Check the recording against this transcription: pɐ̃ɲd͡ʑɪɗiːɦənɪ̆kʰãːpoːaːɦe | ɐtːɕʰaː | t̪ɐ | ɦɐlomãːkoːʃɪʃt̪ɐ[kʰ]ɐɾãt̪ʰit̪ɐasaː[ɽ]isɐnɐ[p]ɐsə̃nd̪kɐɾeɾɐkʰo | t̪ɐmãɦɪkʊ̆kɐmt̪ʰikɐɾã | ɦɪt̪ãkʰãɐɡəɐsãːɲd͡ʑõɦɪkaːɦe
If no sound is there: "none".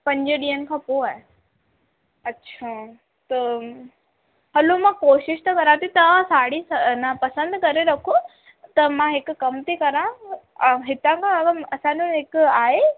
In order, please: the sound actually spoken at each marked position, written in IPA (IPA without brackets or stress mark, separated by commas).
k, ɽ, p